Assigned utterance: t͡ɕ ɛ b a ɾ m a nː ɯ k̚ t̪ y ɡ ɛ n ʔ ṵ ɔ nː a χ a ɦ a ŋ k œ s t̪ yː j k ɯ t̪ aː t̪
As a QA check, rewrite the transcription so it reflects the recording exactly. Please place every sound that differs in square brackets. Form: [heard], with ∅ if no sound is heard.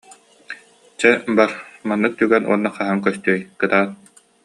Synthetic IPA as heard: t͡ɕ ɛ b a ɾ m a nː ɯ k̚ t̪ y ɡ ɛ n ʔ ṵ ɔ nː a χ a ɦ a ŋ k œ s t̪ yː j k ɯ t̪ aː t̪

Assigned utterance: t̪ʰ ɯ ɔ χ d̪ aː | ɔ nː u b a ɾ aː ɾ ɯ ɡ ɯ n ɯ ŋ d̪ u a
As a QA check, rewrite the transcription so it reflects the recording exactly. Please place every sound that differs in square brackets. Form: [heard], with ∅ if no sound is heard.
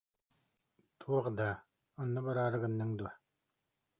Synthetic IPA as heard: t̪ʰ [u] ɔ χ d̪ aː | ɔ nː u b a ɾ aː ɾ ɯ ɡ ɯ [nː] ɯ ŋ d̪ u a

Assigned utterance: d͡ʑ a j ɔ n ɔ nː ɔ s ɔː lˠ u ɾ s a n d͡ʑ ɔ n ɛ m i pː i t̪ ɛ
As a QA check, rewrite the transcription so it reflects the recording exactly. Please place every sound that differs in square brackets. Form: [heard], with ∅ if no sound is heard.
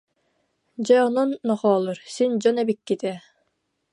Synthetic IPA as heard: d͡ʑ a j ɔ n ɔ nː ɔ [χ] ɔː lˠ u ɾ s [i] n d͡ʑ ɔ n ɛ [b] i [kː] i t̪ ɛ

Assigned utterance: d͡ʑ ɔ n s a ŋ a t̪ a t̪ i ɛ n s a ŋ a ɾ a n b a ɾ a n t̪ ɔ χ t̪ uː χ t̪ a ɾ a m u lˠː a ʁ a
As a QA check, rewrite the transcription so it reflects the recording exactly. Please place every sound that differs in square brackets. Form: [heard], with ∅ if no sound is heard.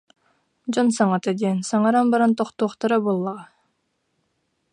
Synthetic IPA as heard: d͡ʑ ɔ n s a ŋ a t̪ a [d̪] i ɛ n s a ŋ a ɾ a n b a ɾ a n t̪ ɔ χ t̪ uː χ t̪ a ɾ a [b] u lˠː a ʁ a

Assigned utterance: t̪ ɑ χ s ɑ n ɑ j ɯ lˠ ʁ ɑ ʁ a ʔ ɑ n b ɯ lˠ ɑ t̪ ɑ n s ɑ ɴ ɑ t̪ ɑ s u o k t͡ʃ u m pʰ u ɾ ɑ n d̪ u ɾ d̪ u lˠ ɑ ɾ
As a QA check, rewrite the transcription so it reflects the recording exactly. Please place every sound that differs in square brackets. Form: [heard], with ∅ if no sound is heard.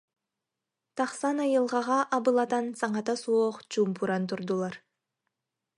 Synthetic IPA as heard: t̪ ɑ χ s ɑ n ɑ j ɯ lˠ ʁ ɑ ʁ [ɑ] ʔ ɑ [∅] b ɯ lˠ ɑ t̪ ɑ n s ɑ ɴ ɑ t̪ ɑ s u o [q] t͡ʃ u m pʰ u ɾ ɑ n [t̪] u ɾ d̪ u lˠ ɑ ɾ

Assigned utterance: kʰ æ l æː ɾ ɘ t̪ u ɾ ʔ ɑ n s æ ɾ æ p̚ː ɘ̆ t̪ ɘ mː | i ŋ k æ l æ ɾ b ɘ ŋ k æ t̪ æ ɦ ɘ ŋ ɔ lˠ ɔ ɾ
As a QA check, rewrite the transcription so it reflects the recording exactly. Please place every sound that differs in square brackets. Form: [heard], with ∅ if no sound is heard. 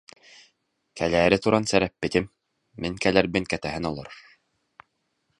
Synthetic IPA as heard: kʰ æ l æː ɾ ɘ t̪ u ɾ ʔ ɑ n s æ ɾ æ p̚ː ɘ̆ t̪ ɘ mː | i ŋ k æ l æ ɾ b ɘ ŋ k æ t̪ æ ɦ ɘ [n] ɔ lˠ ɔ ɾ

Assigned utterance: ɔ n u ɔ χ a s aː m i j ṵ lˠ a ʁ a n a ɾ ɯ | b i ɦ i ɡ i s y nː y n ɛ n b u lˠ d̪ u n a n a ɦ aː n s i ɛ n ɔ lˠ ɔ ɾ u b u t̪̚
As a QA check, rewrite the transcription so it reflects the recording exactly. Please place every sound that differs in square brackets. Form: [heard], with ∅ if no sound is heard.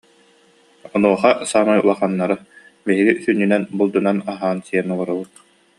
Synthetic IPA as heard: ɔ n u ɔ χ a s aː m [a] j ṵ lˠ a [χ] a [nː] a ɾ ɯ | b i ɦ i ɡ i s y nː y n ɛ n b u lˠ d̪ u n a n a ɦ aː n s i ɛ n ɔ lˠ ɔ ɾ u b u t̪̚

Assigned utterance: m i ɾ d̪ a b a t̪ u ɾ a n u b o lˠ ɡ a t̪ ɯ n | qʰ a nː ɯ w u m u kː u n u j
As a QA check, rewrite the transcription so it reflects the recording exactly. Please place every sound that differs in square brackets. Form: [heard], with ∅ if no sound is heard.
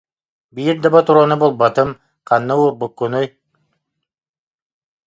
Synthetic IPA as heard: [b] i ɾ d̪ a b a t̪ u ɾ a n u b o lˠ [b] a t̪ ɯ [m] | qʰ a nː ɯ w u [b] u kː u n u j

